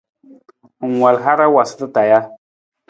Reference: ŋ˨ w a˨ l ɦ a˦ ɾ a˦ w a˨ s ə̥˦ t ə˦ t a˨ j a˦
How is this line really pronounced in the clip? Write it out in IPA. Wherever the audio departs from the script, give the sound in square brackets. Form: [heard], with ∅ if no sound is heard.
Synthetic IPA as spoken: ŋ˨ w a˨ l ɦ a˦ ɾ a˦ w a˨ s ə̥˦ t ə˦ t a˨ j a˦